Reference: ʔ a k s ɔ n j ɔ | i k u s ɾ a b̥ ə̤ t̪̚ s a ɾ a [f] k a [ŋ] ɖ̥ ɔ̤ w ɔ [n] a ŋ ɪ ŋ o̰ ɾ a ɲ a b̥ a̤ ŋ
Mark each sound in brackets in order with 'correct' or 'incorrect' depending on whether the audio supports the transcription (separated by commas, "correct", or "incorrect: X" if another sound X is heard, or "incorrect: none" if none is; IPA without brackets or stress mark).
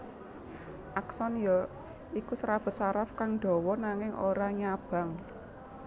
correct, correct, correct